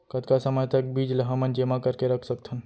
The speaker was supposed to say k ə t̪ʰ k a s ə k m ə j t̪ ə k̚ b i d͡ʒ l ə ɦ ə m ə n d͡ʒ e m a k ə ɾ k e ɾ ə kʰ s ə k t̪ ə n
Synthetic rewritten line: k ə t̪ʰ k a s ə m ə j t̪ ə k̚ b i d͡ʒ l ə ɦ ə m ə n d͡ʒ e m a k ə ɾ k e ɾ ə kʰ s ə k t̪ʰ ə n